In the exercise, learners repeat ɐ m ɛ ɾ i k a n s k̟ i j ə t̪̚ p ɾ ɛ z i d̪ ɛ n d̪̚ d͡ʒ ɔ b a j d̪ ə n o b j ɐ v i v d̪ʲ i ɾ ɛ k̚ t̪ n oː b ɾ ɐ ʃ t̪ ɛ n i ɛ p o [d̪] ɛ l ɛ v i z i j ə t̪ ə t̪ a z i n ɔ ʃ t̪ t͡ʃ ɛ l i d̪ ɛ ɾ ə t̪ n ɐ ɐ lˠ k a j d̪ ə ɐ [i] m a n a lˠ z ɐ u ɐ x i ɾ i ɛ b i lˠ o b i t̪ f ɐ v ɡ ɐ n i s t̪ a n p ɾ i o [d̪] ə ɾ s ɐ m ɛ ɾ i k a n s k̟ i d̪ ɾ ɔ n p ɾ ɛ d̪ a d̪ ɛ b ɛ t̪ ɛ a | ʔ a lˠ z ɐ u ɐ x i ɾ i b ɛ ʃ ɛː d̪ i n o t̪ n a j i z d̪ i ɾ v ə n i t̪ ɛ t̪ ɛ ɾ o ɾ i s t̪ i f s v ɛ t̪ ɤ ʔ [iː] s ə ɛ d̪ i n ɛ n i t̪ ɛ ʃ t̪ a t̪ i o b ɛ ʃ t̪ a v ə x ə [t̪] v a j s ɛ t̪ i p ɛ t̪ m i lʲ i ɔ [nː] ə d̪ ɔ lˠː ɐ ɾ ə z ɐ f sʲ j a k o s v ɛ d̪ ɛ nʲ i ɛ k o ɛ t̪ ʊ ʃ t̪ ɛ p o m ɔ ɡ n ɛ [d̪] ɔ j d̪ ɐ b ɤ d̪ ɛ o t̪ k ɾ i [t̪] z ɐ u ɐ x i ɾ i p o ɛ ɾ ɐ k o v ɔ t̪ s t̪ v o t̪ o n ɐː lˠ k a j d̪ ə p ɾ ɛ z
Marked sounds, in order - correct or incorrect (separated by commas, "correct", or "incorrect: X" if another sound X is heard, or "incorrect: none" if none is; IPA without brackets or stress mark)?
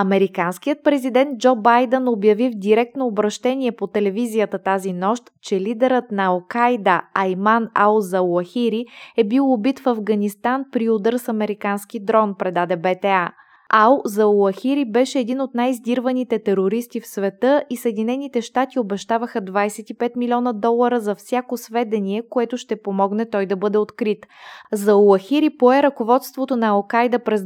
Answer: incorrect: t̪, incorrect: j, correct, incorrect: i, incorrect: d̪, incorrect: n, incorrect: t̪, correct